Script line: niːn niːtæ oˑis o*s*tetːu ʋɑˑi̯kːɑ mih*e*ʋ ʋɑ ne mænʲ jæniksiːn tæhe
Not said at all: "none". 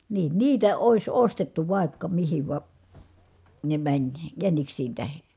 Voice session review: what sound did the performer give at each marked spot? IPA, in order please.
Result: s, i

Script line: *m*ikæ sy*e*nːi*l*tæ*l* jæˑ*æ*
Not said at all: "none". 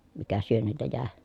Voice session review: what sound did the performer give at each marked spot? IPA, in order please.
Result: m, ø, l, none, e

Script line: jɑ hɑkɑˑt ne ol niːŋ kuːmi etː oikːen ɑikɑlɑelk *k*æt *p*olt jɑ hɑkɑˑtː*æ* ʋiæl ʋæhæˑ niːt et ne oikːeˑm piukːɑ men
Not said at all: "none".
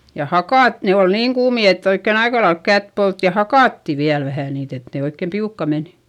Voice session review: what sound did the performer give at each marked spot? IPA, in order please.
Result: k, p, i

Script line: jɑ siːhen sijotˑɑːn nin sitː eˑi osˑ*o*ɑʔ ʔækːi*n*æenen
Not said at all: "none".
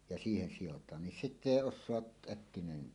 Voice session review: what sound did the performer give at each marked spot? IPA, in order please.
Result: o, n

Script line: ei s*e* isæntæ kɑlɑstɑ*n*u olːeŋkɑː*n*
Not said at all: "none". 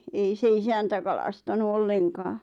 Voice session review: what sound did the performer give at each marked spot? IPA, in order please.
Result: e, n, none

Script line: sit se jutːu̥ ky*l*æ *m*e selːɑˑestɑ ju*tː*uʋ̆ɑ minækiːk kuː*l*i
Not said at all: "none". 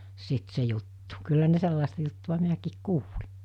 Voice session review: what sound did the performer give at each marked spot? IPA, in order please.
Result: lː, n, tː, l

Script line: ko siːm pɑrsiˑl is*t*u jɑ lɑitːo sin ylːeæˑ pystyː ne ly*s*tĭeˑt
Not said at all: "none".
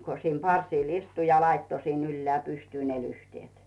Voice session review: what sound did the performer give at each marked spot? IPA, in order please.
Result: t, h

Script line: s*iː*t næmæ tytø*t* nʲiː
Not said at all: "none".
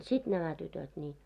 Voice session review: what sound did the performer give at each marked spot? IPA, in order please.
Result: i, t

